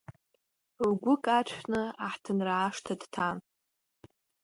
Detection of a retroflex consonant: present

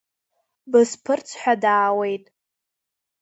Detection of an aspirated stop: present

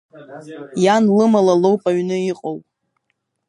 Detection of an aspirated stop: absent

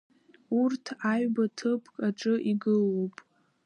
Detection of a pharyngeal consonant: absent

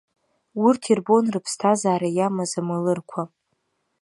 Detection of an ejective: absent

